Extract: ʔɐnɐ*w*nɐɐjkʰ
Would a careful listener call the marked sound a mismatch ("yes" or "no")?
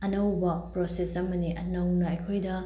no